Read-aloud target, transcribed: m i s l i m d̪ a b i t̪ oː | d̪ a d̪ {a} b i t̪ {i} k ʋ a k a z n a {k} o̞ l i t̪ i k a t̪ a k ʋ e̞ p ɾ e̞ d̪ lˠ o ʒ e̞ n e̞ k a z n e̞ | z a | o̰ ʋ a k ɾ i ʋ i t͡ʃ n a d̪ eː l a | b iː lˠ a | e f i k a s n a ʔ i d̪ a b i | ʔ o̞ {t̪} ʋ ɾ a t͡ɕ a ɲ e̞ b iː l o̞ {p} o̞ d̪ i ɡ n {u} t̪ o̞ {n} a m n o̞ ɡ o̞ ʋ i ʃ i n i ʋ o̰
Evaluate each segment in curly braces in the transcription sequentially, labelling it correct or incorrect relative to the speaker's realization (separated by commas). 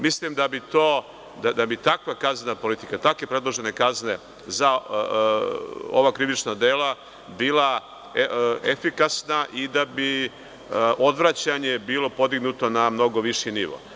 correct, incorrect, incorrect, incorrect, correct, correct, correct